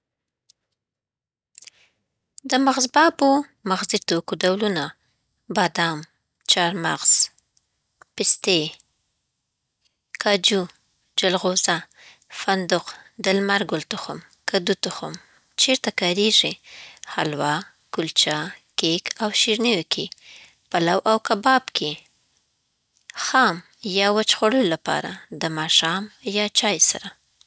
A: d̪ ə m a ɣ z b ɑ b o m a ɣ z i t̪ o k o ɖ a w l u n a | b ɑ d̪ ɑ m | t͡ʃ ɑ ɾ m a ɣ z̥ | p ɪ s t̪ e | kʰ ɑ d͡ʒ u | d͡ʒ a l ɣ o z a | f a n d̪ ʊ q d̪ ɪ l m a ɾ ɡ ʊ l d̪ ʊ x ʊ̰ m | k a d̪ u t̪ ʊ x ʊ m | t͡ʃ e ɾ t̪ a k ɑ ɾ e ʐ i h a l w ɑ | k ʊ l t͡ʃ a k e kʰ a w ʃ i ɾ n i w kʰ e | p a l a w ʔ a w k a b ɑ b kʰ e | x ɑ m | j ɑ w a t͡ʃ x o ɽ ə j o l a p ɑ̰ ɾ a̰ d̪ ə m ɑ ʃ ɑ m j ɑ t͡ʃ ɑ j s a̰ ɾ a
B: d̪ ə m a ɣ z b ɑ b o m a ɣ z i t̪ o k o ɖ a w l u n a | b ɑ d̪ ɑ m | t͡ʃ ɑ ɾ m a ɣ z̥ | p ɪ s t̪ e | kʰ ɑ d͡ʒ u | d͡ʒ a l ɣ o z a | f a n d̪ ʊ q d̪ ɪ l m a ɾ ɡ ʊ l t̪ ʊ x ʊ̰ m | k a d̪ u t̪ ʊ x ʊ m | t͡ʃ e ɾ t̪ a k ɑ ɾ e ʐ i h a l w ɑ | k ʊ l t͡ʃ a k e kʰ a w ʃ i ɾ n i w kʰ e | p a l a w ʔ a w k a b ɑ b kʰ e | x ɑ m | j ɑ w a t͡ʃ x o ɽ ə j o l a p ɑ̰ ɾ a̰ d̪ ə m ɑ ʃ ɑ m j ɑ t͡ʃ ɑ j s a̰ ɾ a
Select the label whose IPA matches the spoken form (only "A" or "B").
B